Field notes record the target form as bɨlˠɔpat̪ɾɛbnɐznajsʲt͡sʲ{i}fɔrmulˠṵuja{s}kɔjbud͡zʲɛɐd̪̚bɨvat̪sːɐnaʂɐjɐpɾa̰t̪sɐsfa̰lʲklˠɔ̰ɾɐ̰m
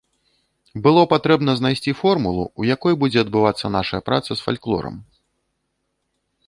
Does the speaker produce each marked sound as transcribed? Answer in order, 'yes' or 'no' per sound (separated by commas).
yes, no